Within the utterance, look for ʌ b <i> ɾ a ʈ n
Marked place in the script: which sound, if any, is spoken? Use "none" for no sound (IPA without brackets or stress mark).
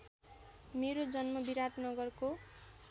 i